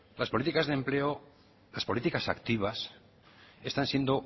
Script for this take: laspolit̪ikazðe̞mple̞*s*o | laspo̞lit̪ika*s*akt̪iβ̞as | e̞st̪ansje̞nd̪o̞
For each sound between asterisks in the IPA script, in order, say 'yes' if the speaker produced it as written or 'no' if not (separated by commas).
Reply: no, yes